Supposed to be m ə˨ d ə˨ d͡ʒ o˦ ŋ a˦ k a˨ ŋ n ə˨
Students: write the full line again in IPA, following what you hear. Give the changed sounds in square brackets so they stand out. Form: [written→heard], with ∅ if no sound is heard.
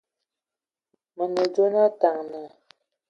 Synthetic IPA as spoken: m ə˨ [d→n] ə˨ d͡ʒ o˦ [ŋ→n] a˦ [k→t] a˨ ŋ n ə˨

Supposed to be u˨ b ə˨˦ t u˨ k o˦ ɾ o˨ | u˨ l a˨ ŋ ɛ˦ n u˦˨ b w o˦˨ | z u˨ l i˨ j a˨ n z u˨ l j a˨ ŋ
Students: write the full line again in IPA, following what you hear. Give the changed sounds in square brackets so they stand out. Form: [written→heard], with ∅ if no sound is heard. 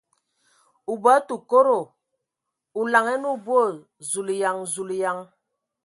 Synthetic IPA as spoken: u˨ b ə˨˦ t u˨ k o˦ ɾ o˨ | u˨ l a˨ ŋ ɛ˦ n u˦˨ b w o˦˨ | z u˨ l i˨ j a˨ [n→ŋ] z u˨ l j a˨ ŋ

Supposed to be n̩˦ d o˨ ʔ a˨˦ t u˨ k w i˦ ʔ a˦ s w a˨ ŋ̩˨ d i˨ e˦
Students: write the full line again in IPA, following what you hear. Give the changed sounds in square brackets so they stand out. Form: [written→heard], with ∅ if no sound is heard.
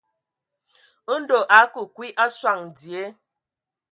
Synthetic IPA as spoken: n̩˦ d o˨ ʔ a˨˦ [t→k] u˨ k w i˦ ʔ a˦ s w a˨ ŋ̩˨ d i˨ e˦

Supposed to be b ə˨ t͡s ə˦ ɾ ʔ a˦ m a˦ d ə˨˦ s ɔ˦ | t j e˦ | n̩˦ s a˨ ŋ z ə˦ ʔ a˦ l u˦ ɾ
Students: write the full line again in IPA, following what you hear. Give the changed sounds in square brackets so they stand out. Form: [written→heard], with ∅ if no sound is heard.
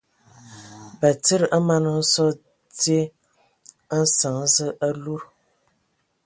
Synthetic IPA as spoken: b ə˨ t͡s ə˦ ɾ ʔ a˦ m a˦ [d→n] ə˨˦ s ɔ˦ | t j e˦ | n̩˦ s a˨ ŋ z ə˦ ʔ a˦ l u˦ ɾ

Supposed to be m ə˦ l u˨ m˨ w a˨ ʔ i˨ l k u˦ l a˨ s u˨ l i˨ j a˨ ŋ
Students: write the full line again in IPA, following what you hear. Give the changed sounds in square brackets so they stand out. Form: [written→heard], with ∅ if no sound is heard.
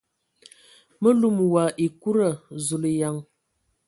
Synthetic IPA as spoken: m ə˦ l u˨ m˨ w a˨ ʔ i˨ [l→∅] k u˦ [l→ɾ] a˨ [s→z] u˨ l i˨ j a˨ ŋ

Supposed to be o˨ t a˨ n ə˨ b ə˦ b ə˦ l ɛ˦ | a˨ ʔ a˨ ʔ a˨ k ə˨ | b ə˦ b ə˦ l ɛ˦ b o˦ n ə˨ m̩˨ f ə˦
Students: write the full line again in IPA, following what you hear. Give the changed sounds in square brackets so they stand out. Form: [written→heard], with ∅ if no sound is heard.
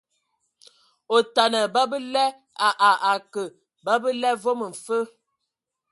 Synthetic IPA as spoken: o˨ t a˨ n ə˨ b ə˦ b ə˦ l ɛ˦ | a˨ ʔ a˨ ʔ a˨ k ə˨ | b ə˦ b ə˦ l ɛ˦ [b→v] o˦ [n→m] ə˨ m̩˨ f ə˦

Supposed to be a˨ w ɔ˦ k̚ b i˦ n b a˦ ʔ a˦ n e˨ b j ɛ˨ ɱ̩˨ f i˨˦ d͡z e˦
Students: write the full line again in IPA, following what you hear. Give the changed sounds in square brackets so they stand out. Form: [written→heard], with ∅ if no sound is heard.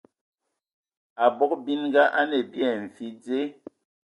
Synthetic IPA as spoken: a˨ [w→b] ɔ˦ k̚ b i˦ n [b→ɡ] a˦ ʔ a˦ n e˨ b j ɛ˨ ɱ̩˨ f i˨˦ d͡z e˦

